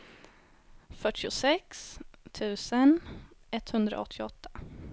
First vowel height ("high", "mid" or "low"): mid